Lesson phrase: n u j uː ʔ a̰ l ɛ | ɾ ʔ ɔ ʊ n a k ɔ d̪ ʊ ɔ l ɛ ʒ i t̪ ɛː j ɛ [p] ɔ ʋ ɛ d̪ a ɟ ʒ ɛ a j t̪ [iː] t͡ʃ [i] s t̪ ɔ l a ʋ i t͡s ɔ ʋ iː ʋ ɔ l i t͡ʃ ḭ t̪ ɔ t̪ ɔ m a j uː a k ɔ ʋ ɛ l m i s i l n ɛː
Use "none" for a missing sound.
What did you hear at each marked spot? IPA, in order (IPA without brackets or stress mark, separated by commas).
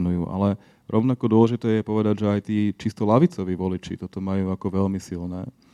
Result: p, iː, i